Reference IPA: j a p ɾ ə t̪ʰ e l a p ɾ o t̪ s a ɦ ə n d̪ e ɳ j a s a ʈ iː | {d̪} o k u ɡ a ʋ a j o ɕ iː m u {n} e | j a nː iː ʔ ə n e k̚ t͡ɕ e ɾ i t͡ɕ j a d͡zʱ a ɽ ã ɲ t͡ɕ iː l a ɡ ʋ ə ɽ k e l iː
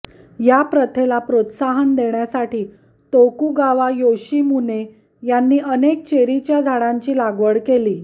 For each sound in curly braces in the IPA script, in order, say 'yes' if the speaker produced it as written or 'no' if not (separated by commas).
no, yes